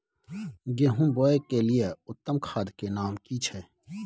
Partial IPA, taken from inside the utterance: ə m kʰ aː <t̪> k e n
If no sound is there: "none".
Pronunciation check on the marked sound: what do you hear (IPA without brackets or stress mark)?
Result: d̪